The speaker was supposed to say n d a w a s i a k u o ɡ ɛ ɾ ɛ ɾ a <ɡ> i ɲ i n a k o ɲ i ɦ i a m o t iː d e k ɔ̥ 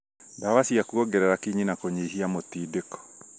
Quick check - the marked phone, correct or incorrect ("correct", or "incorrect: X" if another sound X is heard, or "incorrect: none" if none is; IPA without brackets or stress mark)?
incorrect: k